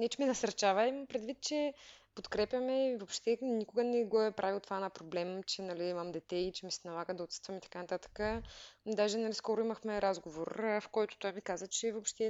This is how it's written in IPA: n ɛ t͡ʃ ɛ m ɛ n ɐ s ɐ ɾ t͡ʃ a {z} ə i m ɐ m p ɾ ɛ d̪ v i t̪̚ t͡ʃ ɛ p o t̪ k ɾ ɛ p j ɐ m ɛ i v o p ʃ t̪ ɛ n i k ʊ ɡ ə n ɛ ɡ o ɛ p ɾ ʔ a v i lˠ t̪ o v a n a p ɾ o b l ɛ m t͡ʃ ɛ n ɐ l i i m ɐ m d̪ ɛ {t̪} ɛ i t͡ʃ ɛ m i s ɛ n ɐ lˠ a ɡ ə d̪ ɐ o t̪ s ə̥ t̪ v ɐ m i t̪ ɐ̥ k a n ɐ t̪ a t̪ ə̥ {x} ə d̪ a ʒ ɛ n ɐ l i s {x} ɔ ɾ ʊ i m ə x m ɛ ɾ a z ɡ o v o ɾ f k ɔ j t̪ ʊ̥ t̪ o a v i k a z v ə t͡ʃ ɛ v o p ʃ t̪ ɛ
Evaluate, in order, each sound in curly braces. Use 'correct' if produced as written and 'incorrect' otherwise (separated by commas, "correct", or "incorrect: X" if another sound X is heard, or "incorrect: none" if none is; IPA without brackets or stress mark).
incorrect: v, correct, incorrect: k, incorrect: k